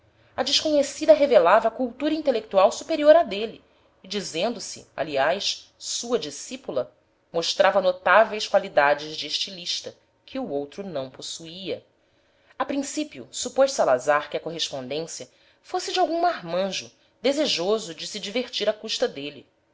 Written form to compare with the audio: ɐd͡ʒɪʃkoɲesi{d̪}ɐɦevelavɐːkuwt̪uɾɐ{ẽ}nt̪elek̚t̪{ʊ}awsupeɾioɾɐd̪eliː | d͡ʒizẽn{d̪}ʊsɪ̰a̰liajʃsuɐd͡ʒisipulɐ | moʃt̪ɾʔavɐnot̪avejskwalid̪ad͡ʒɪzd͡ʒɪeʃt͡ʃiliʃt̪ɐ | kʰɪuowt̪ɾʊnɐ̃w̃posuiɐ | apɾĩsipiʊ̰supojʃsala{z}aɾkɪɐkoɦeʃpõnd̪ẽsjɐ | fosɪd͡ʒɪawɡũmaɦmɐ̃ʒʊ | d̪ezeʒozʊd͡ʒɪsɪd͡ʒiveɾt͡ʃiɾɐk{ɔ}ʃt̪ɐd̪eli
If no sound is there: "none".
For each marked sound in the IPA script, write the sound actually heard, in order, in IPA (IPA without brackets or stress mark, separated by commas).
d̪, ĩ, u, d̪, z, u